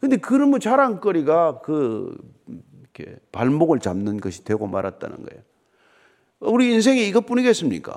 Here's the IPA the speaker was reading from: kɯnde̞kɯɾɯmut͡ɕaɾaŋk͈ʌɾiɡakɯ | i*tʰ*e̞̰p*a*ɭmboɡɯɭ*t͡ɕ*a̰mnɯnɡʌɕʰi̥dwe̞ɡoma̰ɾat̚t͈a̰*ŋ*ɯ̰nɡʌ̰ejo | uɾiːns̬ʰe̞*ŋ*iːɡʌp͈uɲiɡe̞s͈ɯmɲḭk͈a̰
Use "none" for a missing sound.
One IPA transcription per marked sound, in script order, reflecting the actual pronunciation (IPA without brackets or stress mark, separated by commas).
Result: kʰ, a, t͡ɕ, n, ŋ